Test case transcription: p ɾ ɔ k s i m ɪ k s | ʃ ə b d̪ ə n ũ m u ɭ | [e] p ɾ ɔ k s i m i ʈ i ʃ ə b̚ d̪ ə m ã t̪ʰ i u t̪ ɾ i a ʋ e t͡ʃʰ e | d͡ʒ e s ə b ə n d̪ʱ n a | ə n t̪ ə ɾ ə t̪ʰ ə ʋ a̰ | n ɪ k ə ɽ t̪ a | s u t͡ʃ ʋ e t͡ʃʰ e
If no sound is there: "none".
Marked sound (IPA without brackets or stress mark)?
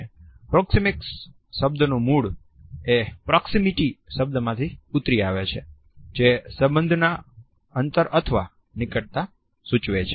e